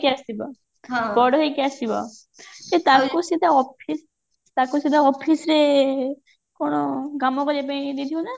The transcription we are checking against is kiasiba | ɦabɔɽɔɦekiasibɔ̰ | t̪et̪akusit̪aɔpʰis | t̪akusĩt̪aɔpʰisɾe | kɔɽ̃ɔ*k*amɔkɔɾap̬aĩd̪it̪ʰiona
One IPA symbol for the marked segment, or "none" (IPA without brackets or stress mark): ɡ